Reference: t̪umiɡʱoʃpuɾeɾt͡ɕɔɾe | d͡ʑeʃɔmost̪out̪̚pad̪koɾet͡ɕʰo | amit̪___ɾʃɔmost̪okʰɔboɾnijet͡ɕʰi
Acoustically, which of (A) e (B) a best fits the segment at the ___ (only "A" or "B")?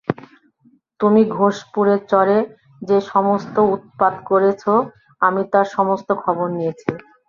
B